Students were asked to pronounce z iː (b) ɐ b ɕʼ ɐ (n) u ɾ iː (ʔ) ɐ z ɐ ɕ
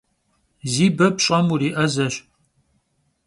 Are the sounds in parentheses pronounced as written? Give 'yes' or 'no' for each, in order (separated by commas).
yes, no, yes